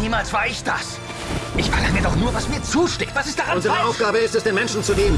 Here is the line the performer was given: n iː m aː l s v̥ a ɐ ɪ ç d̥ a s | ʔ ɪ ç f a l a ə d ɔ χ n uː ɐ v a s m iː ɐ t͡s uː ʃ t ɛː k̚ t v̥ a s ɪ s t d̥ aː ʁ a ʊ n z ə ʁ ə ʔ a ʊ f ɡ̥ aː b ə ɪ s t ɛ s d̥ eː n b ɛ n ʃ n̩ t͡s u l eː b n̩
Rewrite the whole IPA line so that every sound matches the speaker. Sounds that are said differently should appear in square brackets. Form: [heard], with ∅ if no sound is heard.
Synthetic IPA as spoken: n iː m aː l s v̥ a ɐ ɪ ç d̥ a s | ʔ ɪ ç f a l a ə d ɔ χ n uː ɐ v a s m iː ɐ t͡s uː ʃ t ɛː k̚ t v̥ a s ɪ s t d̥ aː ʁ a ʊ n z ə ʁ ə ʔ a ʊ f ɡ̥ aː b ə ɪ s t ɛ s d̥ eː n [m] ɛ n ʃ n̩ t͡s u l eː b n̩